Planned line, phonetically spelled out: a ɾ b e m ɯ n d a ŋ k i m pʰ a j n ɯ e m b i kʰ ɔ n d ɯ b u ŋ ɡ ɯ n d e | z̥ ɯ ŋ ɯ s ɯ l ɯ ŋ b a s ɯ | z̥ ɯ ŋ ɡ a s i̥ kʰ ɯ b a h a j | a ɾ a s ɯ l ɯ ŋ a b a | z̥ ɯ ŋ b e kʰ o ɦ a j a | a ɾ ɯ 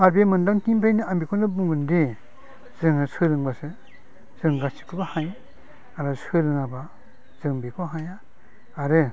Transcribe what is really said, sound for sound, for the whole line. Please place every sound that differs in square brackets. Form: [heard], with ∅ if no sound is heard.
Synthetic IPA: a ɾ b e m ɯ n d a ŋ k i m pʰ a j n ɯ [a] m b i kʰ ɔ n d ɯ b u ŋ ɡ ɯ n d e | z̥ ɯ ŋ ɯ s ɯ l ɯ ŋ b a s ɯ | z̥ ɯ ŋ ɡ a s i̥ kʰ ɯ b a h a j | a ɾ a s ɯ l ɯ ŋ a b a | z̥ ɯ ŋ b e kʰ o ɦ a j a | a ɾ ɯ